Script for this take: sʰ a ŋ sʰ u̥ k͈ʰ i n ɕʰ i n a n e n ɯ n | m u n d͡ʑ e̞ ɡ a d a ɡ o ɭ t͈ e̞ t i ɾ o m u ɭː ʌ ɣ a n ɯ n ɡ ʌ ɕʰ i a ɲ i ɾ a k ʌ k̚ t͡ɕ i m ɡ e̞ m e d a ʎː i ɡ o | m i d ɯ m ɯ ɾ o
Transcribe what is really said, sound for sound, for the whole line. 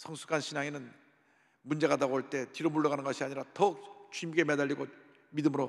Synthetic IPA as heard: sʰ ʌ ŋ sʰ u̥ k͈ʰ a n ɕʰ i n a ŋ e n ɯ n | m u n d͡ʑ e̞ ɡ a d a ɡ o ɭ t͈ e̞ t i ɾ o m u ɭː ʌ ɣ a n ɯ n ɡ ʌ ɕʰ i a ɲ i ɾ a t ʌ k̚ t͡ɕ i m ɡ e̞ m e d a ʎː i ɡ o | m i d ɯ m ɯ ɾ o